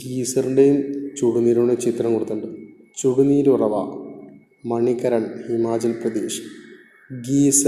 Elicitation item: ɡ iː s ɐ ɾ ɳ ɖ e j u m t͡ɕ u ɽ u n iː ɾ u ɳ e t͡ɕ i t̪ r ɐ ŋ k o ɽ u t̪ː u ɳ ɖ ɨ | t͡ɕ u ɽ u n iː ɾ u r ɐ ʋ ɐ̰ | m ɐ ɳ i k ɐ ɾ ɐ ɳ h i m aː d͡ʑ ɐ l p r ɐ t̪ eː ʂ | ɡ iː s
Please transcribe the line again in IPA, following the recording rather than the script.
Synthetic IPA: ɡ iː s ɐ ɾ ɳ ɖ e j u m t͡ɕ u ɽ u n iː ɾ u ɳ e t͡ɕ i t̪ r ɐ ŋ k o ɽ u t̪ː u ɳ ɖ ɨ | t͡ɕ u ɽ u n iː ɾ u r ɐ ʋ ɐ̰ | m ɐ ɳ i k ɐ ɾ ɐ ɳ h i m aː d͡ʑ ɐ l p r ɐ d̪ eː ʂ | ɡ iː s